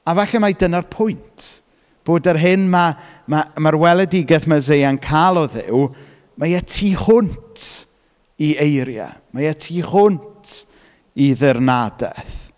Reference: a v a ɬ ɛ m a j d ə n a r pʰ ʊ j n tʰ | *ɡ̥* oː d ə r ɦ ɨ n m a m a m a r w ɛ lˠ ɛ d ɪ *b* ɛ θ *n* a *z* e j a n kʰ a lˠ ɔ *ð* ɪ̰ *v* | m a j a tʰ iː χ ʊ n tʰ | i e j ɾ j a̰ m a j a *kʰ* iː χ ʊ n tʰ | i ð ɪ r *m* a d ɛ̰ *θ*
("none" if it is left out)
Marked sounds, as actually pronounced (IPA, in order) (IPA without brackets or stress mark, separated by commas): b̥, ɡ, m, z, ð, w, tʰ, n, θ